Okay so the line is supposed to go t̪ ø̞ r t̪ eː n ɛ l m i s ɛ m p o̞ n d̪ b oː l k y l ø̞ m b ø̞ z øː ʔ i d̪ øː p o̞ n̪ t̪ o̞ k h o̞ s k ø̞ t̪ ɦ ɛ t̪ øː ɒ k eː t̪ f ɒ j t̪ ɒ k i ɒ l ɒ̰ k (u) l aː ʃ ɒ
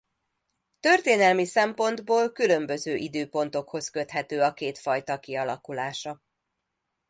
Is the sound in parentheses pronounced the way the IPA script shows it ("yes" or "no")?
yes